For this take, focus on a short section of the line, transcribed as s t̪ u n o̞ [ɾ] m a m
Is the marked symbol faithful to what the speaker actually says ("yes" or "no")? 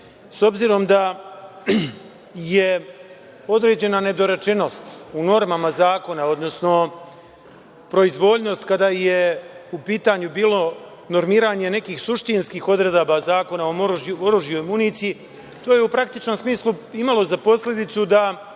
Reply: yes